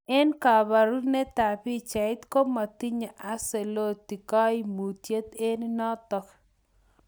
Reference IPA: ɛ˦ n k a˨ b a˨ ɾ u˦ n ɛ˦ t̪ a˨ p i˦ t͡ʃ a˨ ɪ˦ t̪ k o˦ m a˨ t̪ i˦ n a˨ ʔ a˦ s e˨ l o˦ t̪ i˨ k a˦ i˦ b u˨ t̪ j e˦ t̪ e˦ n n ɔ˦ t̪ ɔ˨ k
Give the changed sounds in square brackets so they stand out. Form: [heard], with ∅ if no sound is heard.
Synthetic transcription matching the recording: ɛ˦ n k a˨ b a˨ ɾ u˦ n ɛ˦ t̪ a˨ p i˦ t͡ʃ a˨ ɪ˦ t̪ k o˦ m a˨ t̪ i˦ [ɲ] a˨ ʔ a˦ s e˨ l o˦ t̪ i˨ k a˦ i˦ [m] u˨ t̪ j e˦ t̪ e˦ n n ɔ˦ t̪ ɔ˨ k